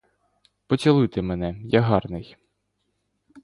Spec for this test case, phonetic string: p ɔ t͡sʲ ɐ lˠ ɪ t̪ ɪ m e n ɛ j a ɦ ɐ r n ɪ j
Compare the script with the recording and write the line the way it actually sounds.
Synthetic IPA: p ɔ t͡sʲ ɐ lˠ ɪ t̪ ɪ m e n ɛ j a ɦ ɑ r n ɪ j